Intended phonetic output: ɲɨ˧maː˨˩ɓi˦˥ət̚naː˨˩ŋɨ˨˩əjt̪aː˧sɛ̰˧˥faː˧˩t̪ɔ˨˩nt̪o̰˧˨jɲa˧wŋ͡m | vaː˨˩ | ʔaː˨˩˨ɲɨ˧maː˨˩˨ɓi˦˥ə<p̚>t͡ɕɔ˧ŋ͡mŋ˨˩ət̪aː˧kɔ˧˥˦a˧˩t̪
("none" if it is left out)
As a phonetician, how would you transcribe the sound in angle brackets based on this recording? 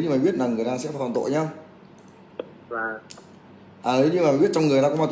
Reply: t̚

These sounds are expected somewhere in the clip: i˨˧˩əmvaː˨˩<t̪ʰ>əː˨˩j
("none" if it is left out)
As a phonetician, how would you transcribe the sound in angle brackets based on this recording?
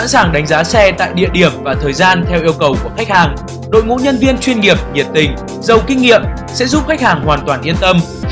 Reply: t̪ʰ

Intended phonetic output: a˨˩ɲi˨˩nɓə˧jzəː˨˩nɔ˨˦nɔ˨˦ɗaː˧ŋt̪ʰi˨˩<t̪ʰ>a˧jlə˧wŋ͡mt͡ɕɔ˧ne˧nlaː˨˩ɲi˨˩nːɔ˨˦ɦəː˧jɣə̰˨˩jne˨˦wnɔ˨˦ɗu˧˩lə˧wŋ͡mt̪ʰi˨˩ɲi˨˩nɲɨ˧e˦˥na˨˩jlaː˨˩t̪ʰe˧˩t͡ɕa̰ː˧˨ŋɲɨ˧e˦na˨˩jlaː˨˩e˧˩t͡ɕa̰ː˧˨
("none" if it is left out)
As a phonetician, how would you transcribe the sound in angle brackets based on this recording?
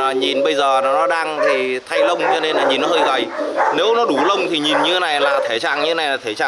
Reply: t̪ʰ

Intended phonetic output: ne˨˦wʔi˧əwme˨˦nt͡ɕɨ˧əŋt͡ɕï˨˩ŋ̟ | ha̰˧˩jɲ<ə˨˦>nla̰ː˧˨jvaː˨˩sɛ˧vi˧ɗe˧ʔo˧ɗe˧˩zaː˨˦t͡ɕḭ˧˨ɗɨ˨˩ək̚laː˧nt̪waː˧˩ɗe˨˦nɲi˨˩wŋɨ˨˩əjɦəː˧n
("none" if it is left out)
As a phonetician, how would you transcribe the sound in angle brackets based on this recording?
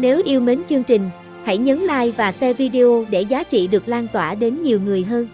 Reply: ə˨˦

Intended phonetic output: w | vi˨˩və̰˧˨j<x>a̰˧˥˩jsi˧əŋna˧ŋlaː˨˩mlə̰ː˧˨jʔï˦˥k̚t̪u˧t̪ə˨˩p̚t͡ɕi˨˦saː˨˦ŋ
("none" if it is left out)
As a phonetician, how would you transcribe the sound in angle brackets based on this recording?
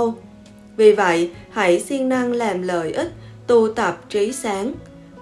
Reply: h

